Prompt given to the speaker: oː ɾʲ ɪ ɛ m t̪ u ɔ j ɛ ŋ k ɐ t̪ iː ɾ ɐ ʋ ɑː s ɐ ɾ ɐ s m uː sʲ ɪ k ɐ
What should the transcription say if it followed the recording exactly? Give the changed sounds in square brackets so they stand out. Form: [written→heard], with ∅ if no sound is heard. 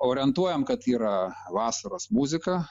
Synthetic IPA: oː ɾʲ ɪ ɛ [m→n] t̪ u ɔ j ɛ [ŋ→m] k ɐ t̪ iː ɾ ɐ ʋ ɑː s ɐ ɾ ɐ s m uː [sʲ→zʲ] ɪ k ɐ

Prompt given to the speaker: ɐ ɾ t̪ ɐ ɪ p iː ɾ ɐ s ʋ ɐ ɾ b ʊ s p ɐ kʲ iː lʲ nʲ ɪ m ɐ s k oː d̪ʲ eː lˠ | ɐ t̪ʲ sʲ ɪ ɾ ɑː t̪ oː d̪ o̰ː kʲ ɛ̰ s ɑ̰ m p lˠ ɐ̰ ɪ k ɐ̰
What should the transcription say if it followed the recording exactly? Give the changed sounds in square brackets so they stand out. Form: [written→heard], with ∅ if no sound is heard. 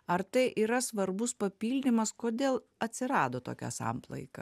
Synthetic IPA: ɐ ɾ t̪ ɐ ɪ [p→ʔ] iː ɾ ɐ s ʋ ɐ ɾ b ʊ s p ɐ [kʲ→pʲ] iː lʲ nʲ ɪ m ɐ s k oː d̪ʲ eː lˠ | ɐ t̪ʲ sʲ ɪ ɾ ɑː [t̪→d̪] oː [d̪→t̪] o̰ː kʲ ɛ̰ s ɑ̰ m p lˠ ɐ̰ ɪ k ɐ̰

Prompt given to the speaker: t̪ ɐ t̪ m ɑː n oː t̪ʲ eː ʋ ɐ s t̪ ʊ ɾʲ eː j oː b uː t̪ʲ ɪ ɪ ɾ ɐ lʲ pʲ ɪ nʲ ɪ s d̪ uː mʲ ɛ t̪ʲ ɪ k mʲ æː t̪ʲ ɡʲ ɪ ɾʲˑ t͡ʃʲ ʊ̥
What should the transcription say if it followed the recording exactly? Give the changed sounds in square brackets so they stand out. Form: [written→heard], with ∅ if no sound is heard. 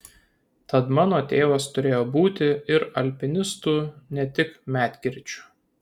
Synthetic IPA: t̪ ɐ t̪ m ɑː n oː t̪ʲ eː ʋ ɐ s t̪ ʊ ɾʲ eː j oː b uː t̪ʲ ɪ ɪ ɾ ɐ lʲ pʲ ɪ nʲ ɪ s [d̪→t̪] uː [mʲ→nʲ] ɛ t̪ʲ ɪ k mʲ æː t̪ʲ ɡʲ ɪ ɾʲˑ t͡ʃʲ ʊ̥

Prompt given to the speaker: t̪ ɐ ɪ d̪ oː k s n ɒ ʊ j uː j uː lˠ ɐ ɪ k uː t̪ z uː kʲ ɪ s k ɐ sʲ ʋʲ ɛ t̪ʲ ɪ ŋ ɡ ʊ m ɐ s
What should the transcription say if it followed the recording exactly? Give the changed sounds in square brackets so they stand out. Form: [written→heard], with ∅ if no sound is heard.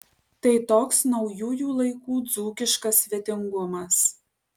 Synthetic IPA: t̪ ɐ ɪ [d̪→t̪] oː k s n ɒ ʊ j uː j uː lˠ ɐ ɪ k uː [t̪→d̪] z uː kʲ ɪ [s→ʃ] k ɐ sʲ ʋʲ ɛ t̪ʲ ɪ ŋ ɡ ʊ m ɐ s

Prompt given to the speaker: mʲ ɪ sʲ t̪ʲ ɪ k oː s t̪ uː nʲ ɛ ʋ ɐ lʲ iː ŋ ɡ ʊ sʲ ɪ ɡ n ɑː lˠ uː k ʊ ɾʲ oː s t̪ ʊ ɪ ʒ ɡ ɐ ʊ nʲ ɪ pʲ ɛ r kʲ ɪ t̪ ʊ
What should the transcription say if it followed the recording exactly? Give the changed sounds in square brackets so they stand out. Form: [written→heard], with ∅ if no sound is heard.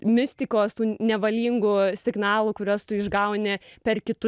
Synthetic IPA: mʲ ɪ sʲ t̪ʲ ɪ k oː s t̪ uː nʲ ɛ ʋ ɐ lʲ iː ŋ ɡ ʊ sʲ ɪ ɡ n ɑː lˠ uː k ʊ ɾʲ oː s t̪ ʊ ɪ ʒ ɡ ɐ ʊ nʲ ɪ pʲ ɛ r kʲ ɪ t̪ ʊ

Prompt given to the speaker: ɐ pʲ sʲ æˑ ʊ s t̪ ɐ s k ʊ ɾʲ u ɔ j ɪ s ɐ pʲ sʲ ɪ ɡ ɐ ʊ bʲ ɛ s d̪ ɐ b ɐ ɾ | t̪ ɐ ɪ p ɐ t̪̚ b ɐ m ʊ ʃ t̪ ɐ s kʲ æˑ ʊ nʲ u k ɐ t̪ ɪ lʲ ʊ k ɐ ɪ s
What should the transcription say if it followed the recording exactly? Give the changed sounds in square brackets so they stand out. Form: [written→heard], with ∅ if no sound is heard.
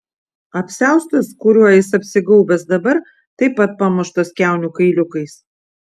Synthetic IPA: ɐ pʲ sʲ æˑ ʊ s t̪ ɐ s k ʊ ɾʲ u ɔ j ɪ s ɐ pʲ sʲ ɪ ɡ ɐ ʊ bʲ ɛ s d̪ ɐ b ɐ ɾ | t̪ ɐ ɪ p ɐ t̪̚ [b→p] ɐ m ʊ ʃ t̪ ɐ s kʲ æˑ ʊ nʲ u k ɐ [t̪→∅] ɪ lʲ ʊ k ɐ ɪ s

